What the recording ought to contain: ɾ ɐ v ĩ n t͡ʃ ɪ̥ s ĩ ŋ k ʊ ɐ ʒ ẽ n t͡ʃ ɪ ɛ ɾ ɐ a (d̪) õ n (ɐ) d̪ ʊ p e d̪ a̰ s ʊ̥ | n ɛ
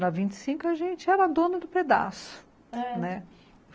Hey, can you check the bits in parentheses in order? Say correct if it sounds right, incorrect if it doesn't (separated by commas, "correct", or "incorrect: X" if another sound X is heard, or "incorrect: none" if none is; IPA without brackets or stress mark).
correct, correct